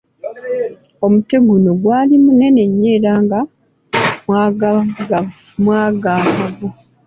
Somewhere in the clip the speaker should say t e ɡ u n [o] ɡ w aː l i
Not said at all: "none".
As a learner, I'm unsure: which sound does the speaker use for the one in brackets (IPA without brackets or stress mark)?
o